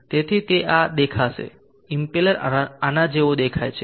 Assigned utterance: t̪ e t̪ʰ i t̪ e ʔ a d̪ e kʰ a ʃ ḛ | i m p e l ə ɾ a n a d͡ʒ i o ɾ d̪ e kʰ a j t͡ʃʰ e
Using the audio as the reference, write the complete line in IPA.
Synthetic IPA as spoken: t̪ e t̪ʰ i t̪ e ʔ a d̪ e kʰ a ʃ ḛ | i m p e l ə ɾ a n a d͡ʒ e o d̪ e kʰ a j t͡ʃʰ e